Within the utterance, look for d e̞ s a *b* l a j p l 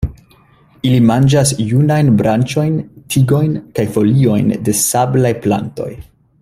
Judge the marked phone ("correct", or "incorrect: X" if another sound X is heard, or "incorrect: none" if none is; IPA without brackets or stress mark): correct